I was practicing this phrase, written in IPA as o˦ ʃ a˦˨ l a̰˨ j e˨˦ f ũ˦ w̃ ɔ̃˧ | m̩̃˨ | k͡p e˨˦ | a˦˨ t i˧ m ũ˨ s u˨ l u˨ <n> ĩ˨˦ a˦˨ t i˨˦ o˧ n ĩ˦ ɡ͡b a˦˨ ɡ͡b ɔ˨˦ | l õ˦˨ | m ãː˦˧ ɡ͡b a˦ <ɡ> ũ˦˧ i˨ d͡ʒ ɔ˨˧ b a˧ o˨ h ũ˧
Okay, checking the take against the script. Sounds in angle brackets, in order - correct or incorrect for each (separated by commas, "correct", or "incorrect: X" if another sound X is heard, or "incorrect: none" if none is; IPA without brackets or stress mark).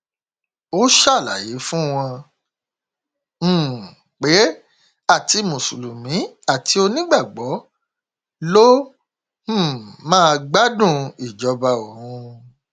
incorrect: m, incorrect: d